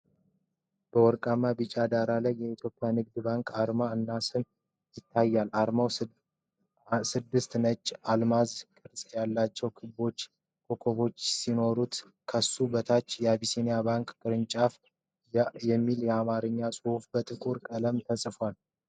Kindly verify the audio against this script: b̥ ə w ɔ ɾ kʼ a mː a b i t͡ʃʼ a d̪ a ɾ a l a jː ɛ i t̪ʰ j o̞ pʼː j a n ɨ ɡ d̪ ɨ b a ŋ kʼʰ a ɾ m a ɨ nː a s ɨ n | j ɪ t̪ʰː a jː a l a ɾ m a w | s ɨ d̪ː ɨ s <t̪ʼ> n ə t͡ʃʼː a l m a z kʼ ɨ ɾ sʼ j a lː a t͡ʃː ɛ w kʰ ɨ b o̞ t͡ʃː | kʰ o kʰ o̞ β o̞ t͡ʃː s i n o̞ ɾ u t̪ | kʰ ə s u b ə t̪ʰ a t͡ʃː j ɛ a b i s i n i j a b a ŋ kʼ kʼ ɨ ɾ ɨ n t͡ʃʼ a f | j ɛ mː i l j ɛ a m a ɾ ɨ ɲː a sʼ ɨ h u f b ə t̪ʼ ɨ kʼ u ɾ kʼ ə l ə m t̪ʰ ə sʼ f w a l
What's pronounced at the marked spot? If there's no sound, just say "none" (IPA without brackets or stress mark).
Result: t̪